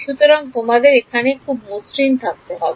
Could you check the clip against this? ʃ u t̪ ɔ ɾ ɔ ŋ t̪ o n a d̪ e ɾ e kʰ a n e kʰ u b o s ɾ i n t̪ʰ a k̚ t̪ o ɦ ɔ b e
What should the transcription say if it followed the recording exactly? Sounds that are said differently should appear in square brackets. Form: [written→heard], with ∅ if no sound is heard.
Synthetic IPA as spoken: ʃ u t̪ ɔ ɾ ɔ ŋ t̪ o [n→m] a d̪ e ɾ e kʰ a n e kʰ u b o s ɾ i n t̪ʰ a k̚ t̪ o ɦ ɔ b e